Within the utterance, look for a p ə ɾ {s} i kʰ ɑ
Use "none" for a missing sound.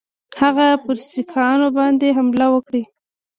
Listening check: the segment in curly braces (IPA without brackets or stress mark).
s